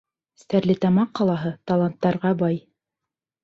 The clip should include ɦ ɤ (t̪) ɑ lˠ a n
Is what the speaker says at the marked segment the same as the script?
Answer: yes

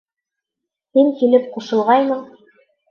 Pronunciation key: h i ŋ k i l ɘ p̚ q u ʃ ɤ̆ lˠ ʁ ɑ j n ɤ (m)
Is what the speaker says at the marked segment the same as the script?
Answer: no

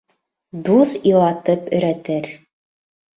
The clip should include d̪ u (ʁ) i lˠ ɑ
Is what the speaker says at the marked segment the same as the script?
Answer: no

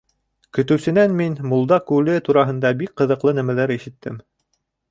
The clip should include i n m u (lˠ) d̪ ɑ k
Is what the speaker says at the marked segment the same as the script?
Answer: yes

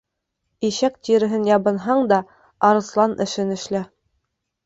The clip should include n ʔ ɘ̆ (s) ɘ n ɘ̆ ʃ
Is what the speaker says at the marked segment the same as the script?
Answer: no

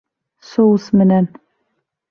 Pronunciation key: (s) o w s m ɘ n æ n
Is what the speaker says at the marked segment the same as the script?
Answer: yes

